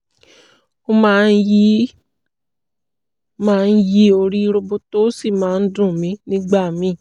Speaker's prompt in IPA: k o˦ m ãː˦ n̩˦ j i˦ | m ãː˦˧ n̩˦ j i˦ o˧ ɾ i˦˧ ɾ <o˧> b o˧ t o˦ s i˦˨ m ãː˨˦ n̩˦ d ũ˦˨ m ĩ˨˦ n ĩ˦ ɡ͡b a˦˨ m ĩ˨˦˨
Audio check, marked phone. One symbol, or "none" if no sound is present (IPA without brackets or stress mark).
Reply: o˧